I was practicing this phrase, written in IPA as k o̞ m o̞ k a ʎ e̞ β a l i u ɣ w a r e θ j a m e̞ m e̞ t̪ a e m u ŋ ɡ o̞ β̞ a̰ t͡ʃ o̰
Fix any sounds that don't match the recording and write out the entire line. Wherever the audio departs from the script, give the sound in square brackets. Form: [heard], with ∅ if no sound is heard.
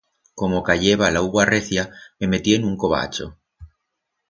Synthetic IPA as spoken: k o̞ m o̞ k a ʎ e̞ β a l [a] u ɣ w a r e θ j a m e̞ m e̞ t̪ [i] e [n] u ŋ [k] o̞ β̞ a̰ t͡ʃ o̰